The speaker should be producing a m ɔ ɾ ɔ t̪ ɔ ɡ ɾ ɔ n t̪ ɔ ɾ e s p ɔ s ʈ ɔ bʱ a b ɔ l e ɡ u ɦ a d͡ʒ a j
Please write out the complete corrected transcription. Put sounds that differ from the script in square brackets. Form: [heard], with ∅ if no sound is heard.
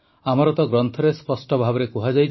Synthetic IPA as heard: a m ɔ ɾ ɔ t̪ ɔ ɡ ɾ ɔ n [t̪ʰ] ɔ ɾ e s p ɔ s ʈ ɔ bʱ a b ɔ [ɾ] e [k] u ɦ a d͡ʒ a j